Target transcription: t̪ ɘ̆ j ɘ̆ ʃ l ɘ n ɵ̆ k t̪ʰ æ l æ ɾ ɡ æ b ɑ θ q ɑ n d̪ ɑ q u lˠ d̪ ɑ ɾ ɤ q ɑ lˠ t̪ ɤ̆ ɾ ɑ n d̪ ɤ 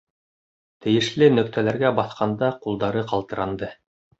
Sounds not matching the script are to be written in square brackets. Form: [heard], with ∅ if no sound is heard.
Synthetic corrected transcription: t̪ ɘ̆ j ɘ̆ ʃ l ɘ n ɵ̆ k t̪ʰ æ l æ ɾ ɡ æ b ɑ θ q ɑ n d̪ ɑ q u lˠ d̪ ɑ ɾ ɤ q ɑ lˠ t̪ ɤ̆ ɾ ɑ n d̪ ɤ